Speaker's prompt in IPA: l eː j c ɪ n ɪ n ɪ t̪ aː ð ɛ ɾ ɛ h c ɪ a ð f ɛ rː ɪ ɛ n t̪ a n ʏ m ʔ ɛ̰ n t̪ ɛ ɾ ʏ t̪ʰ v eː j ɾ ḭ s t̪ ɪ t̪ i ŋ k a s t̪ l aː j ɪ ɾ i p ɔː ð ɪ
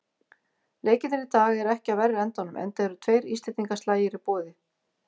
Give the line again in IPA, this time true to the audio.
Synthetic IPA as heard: l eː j c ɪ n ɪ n ɪ t̪ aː ɣ ɛ ɾ ɛ h c ɪ a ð v ɛ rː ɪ ɛ n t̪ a n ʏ m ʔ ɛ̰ n t̪ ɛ ɾ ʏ t̪ʰ v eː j ɾ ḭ s t̪ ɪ t̪ i ŋ k a s t̪ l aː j ɪ ɾ i p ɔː ð ɪ